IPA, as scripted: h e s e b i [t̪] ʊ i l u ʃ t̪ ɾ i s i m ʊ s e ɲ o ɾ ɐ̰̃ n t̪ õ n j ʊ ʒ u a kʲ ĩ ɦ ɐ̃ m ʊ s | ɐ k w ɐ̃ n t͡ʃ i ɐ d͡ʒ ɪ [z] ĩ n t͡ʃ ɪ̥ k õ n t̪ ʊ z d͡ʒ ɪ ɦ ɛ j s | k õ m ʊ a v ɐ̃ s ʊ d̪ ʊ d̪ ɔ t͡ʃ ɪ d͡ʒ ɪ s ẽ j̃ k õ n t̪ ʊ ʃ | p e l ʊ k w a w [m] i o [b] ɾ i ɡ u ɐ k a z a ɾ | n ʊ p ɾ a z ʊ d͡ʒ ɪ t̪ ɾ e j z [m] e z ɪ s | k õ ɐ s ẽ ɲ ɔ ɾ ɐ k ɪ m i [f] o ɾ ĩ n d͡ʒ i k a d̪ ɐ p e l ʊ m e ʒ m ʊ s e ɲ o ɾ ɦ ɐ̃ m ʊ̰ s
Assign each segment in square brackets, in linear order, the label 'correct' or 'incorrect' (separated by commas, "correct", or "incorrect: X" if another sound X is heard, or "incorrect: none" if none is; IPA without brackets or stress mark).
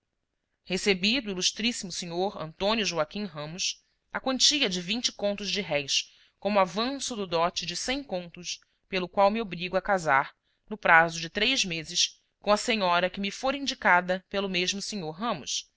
incorrect: d̪, incorrect: v, correct, correct, correct, correct